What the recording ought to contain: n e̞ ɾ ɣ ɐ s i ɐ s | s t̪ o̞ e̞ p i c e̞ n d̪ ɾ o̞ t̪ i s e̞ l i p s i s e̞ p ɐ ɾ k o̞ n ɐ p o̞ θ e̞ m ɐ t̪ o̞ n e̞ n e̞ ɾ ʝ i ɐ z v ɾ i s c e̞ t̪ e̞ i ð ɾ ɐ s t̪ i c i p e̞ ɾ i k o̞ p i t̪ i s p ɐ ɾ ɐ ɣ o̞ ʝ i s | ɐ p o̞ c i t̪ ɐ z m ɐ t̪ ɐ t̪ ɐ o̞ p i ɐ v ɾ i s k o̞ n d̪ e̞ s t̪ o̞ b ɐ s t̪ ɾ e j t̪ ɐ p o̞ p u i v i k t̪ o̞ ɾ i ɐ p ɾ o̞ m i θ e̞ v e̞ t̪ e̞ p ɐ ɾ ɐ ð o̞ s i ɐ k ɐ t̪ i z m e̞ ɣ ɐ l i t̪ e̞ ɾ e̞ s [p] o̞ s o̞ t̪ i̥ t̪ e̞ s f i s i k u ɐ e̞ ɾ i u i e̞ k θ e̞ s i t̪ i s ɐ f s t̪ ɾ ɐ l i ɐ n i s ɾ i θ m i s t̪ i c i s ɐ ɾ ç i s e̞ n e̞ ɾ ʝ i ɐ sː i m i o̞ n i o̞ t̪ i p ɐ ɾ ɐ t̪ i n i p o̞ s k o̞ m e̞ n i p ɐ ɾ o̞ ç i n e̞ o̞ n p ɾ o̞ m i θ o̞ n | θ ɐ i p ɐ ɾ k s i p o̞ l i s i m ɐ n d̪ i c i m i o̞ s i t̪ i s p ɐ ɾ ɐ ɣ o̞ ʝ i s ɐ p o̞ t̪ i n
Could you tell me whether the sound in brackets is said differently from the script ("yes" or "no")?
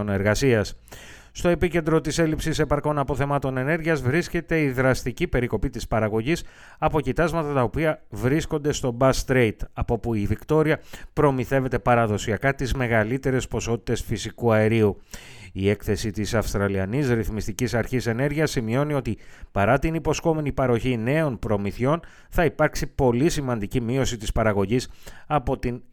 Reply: no